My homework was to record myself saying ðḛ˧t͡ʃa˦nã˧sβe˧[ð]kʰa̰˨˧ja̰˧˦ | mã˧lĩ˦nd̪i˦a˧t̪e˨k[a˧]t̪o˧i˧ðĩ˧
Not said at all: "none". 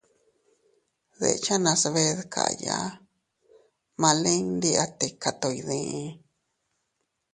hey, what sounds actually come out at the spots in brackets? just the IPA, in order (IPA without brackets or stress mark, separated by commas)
ð, a˧